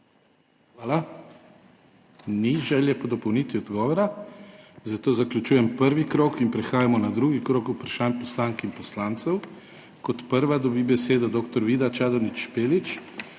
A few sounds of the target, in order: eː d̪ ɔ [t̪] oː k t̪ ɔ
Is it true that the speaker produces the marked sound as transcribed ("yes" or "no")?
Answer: no